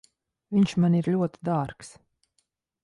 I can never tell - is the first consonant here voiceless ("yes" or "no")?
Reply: no